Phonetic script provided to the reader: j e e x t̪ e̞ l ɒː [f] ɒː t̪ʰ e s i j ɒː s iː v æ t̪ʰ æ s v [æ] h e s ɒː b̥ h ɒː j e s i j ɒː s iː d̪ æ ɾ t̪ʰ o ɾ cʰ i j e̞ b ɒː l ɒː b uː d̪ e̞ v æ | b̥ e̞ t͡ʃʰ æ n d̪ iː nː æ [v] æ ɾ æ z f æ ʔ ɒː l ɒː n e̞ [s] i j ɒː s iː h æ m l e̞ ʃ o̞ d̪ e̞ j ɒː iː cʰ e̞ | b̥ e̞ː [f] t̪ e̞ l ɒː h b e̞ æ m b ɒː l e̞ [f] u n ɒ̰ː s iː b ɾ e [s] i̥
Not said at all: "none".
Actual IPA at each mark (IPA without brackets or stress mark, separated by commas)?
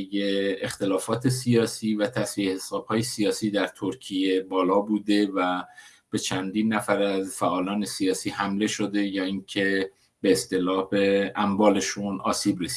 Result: f, i, f, s, s, ʃ, s